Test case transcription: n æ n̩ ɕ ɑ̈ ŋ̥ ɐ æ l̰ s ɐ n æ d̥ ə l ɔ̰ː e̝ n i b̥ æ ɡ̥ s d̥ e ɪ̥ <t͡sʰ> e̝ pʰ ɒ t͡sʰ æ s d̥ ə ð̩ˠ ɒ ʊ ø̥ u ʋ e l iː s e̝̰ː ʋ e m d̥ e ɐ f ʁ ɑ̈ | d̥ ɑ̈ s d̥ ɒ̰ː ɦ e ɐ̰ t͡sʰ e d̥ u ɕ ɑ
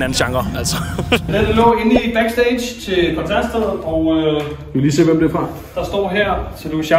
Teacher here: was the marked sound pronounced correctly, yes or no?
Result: yes